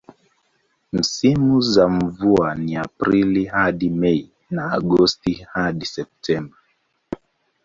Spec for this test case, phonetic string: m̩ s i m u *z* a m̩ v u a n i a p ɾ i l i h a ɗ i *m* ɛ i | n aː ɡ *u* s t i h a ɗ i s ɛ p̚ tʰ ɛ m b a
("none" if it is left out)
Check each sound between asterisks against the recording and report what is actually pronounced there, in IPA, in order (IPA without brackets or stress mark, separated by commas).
z, m, ɔ